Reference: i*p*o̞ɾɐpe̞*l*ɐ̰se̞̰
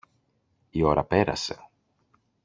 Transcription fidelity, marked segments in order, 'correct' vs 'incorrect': incorrect, incorrect

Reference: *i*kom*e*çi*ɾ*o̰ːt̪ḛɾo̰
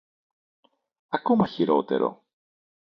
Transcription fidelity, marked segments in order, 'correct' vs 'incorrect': incorrect, incorrect, correct

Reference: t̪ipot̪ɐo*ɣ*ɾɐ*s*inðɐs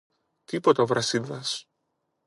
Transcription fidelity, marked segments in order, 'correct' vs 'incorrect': incorrect, correct

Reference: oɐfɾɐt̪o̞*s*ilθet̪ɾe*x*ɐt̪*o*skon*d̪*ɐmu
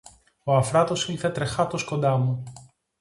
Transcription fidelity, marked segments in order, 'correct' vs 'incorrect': correct, correct, correct, correct

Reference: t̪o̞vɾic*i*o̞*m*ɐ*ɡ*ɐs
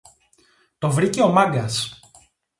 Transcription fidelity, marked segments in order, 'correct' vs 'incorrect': incorrect, correct, correct

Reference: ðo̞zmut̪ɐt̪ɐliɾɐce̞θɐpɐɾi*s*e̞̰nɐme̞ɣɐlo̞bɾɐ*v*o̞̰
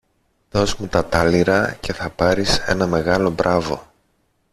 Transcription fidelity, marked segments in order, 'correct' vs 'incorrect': correct, correct

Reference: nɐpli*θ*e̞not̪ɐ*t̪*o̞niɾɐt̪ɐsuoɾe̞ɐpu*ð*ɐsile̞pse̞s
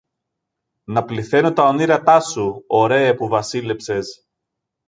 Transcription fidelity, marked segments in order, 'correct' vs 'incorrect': correct, incorrect, incorrect

